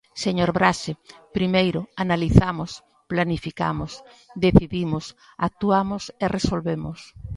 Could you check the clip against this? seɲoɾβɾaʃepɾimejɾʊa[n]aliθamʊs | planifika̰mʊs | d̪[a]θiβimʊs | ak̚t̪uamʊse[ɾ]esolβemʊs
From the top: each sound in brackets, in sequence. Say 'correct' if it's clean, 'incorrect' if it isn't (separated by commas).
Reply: correct, incorrect, incorrect